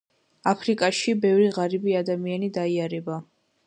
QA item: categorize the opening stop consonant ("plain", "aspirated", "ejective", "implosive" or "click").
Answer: aspirated